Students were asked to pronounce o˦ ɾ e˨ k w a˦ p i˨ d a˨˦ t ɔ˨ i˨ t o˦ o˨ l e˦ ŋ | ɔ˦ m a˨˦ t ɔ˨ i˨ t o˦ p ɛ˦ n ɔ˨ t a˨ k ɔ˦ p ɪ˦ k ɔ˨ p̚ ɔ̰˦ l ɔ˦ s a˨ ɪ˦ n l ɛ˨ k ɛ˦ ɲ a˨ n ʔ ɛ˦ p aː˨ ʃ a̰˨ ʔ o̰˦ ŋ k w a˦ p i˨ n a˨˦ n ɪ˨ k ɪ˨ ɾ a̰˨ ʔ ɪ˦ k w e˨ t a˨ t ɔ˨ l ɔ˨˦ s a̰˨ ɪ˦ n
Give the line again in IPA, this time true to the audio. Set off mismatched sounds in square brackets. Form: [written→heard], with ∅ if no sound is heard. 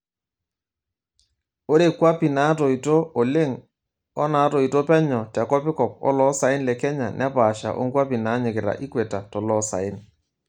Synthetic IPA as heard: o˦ ɾ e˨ k w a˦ p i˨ [d→n] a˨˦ t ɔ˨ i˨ t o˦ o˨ l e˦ ŋ | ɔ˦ [m→n] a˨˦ t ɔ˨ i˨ t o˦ p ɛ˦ [n→ɲ] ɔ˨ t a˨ k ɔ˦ p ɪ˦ k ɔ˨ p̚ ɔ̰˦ l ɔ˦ s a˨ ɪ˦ n l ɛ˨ k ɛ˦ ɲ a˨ n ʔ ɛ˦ p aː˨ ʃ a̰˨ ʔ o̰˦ ŋ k w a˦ p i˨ n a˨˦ [n→ɲ] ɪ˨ k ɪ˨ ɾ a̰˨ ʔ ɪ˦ k w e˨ t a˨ t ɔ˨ l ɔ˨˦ s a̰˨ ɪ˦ n

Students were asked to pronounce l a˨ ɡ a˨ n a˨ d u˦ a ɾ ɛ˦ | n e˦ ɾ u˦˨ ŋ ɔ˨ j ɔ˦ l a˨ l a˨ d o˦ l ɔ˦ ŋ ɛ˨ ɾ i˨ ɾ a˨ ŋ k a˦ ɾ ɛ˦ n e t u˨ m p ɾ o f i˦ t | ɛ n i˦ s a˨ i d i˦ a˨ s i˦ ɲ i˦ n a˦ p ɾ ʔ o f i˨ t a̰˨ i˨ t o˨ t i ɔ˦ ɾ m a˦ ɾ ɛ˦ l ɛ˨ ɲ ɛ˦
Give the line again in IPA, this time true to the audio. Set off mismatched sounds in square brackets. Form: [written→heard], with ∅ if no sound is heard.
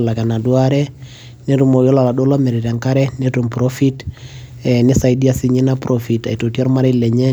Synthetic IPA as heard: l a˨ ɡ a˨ n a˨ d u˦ a ɾ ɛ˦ | n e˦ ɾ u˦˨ [ŋ→m] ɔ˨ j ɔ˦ l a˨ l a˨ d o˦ l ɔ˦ [ŋ→m] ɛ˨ ɾ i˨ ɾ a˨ ŋ k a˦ ɾ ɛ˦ n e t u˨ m p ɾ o f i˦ t | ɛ n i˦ s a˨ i d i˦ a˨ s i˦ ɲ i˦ n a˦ p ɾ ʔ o f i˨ t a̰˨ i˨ t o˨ t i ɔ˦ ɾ m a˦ ɾ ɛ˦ l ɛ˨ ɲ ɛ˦

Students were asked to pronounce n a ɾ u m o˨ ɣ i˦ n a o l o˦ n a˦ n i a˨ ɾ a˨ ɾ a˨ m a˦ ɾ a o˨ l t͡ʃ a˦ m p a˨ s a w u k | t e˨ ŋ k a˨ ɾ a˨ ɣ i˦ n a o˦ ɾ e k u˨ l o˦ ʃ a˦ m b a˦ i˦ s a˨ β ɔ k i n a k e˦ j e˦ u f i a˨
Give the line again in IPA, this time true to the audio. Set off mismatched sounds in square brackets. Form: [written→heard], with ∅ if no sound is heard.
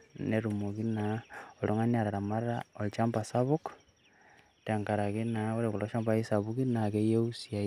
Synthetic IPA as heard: n [a→e] ɾ u m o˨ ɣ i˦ n a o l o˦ [n→ŋ] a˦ n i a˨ ɾ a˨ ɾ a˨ m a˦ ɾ a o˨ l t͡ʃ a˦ m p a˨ s a [w→β] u k | t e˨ ŋ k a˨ ɾ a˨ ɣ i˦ n a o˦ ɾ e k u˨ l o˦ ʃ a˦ m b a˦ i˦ s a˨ β [ɔ→u] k i n a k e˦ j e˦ u [f→s] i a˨

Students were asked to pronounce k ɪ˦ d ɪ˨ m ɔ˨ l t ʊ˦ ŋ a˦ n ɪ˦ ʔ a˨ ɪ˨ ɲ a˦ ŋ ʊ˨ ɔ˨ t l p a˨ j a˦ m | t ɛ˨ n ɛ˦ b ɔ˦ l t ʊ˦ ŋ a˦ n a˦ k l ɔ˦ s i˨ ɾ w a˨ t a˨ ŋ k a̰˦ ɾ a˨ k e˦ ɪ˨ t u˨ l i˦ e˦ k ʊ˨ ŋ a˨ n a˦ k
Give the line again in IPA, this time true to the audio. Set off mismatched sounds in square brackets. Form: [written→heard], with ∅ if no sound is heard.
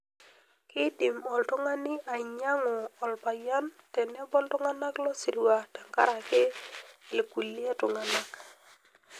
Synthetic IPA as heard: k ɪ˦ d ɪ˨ m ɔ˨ l t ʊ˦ ŋ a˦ n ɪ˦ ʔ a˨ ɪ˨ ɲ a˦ ŋ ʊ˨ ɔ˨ [t→∅] l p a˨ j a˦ [m→n] | t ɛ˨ n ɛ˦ b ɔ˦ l t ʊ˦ ŋ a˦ n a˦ k l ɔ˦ s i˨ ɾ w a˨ t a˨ ŋ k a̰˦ ɾ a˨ k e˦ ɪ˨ [t→k] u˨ l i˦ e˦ [k→t] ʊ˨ ŋ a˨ n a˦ k

